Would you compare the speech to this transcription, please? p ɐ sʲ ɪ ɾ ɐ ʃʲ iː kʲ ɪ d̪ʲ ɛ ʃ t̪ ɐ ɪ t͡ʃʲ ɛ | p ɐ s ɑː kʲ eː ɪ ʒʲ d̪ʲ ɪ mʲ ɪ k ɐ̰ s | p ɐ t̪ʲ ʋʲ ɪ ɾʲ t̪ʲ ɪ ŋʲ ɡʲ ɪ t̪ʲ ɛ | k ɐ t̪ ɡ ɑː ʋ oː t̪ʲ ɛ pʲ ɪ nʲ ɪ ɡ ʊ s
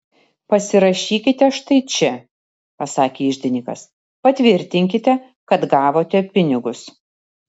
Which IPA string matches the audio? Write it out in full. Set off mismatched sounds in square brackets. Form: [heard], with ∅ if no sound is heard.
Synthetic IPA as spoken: p ɐ sʲ ɪ ɾ ɐ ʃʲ iː kʲ ɪ [t̪ʲ] ɛ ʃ t̪ ɐ ɪ t͡ʃʲ ɛ | p ɐ s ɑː kʲ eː ɪ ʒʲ d̪ʲ ɪ [nʲ] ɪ k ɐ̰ s | p ɐ t̪ʲ ʋʲ ɪ ɾʲ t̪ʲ ɪ ŋʲ [kʲ] ɪ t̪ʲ ɛ | k ɐ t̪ ɡ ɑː ʋ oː t̪ʲ ɛ pʲ ɪ nʲ ɪ ɡ ʊ s